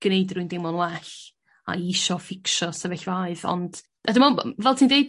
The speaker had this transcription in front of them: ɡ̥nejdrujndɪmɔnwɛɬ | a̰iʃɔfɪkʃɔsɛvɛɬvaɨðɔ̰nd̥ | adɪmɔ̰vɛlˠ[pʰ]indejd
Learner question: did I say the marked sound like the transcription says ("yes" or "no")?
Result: no